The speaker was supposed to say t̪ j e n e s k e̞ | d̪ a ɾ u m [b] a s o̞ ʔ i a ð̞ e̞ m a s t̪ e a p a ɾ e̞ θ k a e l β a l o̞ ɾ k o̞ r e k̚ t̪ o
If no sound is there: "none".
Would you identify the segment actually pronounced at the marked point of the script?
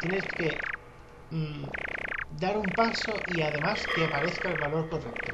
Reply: p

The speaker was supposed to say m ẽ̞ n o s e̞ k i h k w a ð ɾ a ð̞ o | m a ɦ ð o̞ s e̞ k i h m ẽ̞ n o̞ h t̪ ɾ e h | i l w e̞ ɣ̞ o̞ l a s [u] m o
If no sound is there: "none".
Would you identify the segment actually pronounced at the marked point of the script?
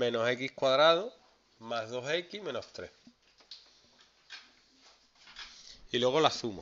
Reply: u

